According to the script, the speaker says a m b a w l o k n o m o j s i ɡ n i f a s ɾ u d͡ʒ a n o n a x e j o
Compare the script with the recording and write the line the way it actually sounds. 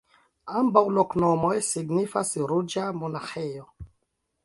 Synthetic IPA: a m b a w l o k n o m o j s i ɡ n i f a s ɾ u d͡ʒ a m o n a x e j o